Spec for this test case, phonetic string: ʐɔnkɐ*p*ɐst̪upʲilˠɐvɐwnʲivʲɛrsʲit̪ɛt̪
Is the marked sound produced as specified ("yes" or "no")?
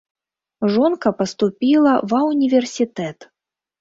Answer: yes